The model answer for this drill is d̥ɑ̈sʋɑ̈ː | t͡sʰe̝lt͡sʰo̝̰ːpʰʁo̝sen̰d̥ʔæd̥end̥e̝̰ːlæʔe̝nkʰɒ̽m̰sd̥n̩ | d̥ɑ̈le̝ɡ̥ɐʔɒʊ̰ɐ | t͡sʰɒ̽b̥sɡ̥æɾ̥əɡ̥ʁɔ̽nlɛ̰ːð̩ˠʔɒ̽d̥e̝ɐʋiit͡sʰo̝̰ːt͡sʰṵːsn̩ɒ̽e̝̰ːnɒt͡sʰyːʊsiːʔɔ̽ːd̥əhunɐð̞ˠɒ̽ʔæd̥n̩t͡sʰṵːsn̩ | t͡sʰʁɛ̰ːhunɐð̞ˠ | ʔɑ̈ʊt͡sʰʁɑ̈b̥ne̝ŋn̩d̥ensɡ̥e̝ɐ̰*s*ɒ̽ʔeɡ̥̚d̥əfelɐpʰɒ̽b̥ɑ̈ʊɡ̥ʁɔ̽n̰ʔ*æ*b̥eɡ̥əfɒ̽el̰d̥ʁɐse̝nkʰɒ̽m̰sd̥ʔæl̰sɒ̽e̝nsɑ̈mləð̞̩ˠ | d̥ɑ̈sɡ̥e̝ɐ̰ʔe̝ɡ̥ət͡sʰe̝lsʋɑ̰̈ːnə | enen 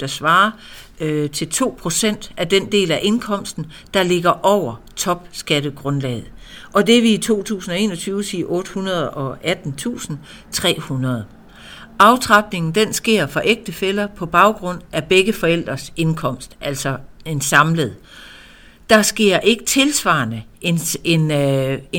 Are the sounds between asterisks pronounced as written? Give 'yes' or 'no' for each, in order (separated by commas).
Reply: no, yes